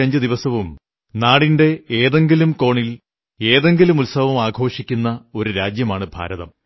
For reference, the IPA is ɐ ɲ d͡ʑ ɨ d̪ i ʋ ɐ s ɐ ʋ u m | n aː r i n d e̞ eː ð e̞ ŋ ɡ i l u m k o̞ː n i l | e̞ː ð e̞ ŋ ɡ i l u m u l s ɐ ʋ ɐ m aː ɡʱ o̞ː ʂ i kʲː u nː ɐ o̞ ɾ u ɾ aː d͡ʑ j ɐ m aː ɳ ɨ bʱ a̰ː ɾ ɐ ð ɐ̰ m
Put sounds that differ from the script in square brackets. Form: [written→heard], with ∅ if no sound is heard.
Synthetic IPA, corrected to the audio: ɐ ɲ d͡ʑ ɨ d̪ i ʋ ɐ s ɐ ʋ u m | n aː [r→ɽ] i n d e̞ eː ð e̞ ŋ ɡ i l u m k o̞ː [n→ɳ] i l | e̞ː ð e̞ ŋ ɡ i l u m u l s ɐ ʋ ɐ m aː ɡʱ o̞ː ʂ i kʲː u nː ɐ o̞ ɾ u ɾ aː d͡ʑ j ɐ m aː ɳ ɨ bʱ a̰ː ɾ ɐ ð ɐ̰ m